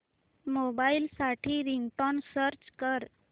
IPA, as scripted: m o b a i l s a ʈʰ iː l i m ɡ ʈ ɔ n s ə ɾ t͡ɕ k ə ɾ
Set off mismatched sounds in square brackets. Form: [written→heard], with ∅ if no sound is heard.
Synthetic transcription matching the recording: m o b a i l s a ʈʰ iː [l→ɾ] i [m→ŋ] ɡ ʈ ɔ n s ə ɾ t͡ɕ k ə ɾ

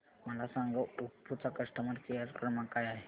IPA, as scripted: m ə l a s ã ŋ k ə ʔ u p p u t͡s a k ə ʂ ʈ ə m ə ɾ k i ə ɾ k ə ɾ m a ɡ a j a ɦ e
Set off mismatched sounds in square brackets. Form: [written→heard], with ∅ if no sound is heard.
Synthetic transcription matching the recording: m ə l a s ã ŋ [k→ɡ] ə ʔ u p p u t͡s a k ə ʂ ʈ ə m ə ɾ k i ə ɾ k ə ɾ m a [ɡ→k] a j a ɦ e

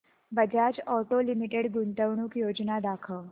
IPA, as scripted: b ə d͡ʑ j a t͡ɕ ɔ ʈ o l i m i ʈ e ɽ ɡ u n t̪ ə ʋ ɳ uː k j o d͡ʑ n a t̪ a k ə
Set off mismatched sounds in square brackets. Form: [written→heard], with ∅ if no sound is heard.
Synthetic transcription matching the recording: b ə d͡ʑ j a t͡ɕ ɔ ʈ o l i m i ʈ e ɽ ɡ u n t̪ ə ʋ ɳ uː k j o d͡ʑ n a [t̪→d̪] a [k→kʰ] ə

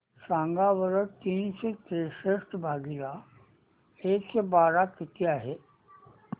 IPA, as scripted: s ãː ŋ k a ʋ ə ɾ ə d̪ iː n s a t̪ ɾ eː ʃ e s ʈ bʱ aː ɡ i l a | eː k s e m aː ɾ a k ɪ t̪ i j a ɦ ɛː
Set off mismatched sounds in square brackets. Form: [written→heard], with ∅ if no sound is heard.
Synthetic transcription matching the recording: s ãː ŋ [k→ɡ] a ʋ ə ɾ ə [d̪→t̪] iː n s [a→e] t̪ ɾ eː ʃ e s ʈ bʱ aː ɡ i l a | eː k s e [m→b] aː ɾ a k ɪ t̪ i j a ɦ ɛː

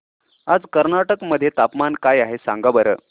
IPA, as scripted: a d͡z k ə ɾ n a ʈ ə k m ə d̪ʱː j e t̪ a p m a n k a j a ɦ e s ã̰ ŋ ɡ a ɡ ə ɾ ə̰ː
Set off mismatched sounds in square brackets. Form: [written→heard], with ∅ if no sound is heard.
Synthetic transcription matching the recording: a d͡z k ə ɾ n a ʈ ə k m ə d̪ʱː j e t̪ a p m a n k a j a ɦ e s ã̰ ŋ ɡ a [ɡ→b] ə ɾ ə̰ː

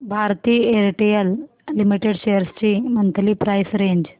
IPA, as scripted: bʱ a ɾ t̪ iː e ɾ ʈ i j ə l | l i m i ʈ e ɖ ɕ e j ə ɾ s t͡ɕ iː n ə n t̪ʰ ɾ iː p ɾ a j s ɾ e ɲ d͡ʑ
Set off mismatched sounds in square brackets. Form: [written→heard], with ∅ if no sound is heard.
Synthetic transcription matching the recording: bʱ a ɾ t̪ iː e ɾ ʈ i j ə l | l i m i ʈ e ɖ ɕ e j ə ɾ s t͡ɕ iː [n→m] ə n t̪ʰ [ɾ→l] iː p ɾ a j s ɾ e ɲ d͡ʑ

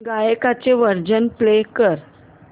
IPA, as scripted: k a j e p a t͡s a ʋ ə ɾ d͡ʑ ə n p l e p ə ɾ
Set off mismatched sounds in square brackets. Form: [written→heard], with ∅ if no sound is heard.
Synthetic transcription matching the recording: [k→ɡ] a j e [p→k] a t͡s [a→e] ʋ ə ɾ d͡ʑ ə n p l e [p→k] ə ɾ

